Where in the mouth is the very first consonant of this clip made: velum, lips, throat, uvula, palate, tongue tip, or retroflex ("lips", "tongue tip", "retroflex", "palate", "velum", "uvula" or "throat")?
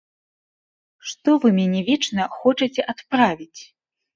retroflex